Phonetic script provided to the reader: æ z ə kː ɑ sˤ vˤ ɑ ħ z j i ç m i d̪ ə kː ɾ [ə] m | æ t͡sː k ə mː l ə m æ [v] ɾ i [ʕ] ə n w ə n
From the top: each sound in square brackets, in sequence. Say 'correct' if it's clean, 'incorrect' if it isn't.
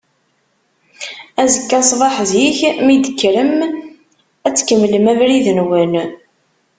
correct, correct, incorrect: ð

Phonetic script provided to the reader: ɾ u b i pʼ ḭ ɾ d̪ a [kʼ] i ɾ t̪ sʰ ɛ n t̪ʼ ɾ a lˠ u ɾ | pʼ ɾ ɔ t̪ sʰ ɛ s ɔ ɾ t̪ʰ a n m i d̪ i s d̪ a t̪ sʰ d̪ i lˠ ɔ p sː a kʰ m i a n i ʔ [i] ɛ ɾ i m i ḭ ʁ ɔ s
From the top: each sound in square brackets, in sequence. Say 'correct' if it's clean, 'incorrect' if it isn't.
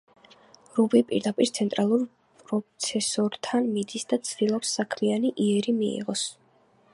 incorrect: pʼ, correct

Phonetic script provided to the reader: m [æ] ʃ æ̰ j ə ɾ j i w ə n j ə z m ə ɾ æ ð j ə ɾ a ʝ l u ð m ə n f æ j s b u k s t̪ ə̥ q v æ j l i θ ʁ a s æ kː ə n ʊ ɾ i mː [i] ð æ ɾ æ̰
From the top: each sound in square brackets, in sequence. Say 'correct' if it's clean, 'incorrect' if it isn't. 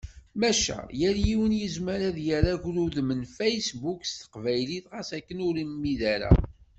correct, correct

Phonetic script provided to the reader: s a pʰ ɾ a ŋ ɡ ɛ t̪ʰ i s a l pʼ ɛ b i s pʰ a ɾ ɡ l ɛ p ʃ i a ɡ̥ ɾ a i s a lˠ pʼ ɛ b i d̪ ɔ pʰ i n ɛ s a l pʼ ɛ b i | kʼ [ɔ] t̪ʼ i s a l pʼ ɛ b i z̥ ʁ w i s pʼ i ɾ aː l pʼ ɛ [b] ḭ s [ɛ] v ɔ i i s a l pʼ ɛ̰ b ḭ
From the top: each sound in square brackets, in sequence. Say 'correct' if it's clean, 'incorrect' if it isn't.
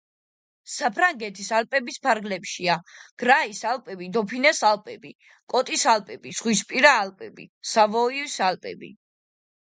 correct, correct, incorrect: a

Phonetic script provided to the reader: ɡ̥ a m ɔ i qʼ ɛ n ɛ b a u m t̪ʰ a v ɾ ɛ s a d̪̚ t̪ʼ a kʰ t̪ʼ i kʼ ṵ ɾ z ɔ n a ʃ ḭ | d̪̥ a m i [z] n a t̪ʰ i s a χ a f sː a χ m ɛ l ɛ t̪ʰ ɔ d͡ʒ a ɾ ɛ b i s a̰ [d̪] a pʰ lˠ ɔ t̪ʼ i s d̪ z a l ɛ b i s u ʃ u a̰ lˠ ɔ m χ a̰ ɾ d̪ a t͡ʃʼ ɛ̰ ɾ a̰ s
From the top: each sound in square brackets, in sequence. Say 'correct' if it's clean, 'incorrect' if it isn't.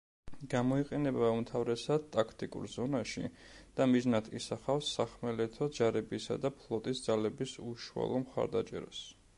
correct, correct

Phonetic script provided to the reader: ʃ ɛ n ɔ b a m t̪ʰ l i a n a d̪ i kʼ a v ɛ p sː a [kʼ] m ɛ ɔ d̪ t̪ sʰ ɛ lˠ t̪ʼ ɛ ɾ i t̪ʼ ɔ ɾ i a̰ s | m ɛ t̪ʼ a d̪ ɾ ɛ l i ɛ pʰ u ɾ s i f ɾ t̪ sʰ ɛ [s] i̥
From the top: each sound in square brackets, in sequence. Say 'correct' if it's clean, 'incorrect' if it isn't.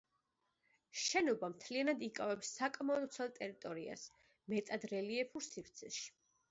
correct, incorrect: ʃ

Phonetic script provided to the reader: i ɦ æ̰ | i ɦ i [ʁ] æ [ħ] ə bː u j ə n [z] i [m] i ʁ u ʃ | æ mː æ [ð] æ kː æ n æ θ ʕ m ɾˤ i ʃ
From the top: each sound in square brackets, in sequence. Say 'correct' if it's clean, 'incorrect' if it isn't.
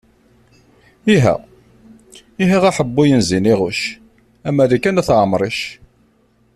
correct, correct, correct, incorrect: n, correct

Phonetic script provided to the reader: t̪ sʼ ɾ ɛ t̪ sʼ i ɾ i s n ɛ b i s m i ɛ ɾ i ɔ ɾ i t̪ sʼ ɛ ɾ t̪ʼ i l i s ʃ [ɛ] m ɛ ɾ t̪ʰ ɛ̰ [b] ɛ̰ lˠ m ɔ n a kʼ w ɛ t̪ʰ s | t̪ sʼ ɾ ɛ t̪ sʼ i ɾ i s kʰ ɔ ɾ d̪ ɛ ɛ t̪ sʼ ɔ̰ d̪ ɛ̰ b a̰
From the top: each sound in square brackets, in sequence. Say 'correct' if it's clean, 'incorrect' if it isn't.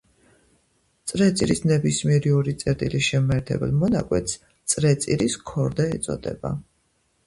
correct, correct

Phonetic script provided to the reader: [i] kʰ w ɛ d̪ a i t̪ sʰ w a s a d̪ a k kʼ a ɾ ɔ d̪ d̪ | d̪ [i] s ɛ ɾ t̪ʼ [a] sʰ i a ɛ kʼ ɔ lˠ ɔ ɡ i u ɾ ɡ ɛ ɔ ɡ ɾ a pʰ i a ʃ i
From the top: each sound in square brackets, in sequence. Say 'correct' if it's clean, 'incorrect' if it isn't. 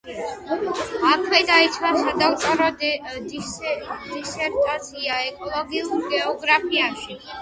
incorrect: a, correct, correct

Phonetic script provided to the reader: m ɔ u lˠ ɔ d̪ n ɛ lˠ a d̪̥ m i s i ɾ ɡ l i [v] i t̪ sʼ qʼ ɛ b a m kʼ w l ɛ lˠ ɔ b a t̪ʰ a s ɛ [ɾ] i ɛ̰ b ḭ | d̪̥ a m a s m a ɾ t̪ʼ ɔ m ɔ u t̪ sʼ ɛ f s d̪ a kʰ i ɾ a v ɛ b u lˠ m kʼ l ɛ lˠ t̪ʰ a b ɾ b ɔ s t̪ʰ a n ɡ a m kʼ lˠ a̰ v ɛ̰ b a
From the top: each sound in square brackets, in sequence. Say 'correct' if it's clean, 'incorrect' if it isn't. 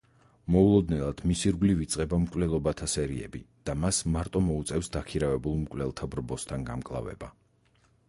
correct, correct

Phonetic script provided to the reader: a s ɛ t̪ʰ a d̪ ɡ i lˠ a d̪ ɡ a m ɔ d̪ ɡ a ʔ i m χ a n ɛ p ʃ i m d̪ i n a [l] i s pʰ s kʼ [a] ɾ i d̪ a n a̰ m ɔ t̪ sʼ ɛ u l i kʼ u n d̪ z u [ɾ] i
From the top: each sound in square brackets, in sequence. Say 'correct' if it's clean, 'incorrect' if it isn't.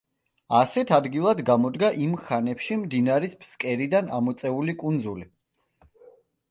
incorrect: ɾ, incorrect: ɛ, incorrect: l

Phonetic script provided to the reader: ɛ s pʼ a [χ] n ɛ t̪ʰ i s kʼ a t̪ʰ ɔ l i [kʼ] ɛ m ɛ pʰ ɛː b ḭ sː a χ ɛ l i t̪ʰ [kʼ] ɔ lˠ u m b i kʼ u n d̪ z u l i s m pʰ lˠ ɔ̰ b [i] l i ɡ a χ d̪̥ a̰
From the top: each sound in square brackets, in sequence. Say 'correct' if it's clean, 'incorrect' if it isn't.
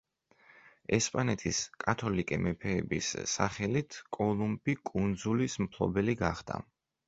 incorrect: none, correct, correct, incorrect: ɛ

